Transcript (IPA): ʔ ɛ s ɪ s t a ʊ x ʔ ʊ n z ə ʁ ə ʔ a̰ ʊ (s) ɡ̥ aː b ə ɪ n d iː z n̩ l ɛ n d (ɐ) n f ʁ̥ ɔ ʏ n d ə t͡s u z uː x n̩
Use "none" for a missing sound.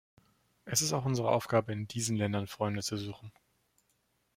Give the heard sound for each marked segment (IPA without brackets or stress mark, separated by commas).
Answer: f, ɐ